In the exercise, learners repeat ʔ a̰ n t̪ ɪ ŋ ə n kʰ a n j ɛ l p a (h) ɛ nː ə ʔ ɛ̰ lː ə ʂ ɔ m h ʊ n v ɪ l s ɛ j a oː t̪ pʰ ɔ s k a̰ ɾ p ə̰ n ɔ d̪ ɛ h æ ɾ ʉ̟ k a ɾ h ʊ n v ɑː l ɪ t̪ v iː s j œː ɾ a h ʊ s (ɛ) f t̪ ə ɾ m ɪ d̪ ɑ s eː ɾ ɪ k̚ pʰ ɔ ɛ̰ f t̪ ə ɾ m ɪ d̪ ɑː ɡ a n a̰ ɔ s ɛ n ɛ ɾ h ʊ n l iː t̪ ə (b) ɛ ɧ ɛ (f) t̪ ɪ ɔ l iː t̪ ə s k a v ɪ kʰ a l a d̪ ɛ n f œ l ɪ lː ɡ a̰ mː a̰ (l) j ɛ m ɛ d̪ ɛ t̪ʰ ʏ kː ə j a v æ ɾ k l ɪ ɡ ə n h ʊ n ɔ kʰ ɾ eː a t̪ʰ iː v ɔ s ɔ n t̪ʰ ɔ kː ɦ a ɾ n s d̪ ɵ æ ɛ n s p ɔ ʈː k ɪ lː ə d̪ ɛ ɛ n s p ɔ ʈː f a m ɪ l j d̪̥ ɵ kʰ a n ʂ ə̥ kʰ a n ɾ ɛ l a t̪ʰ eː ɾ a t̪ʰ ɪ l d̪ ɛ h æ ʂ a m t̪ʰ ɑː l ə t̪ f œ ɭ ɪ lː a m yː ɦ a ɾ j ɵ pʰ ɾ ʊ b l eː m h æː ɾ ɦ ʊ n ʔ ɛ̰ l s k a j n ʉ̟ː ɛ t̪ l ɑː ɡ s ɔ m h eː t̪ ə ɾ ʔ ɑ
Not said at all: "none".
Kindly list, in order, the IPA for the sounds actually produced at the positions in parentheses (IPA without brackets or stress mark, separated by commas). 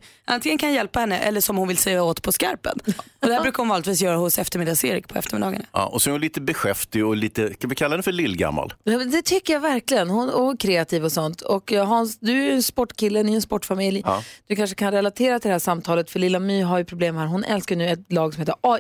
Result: h, ɛ, b, f, l